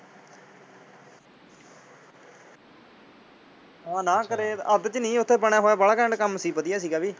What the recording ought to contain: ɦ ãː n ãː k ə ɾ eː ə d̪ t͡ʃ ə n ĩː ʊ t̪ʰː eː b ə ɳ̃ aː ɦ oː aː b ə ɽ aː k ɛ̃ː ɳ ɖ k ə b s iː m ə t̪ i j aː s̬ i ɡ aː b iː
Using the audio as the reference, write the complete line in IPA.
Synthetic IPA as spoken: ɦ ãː n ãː k ə ɾ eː ə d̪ t͡ʃ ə n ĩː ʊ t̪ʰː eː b ə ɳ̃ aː ɦ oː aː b ə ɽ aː k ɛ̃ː ɳ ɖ k ə m s iː b ə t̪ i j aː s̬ iː ɡ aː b iː

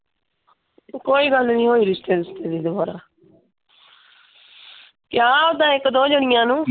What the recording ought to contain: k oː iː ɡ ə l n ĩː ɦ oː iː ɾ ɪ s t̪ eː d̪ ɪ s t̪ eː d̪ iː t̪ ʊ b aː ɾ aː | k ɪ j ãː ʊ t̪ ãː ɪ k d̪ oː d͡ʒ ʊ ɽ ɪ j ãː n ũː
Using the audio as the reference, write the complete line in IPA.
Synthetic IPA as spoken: k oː iː ɡ ə l n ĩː ɦ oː iː ɾ ɪ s t̪ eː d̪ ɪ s t̪ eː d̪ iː d̪ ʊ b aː ɾ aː | k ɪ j aː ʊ d̪ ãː ɪ k d̪ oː d͡ʒ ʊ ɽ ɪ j ãː n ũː

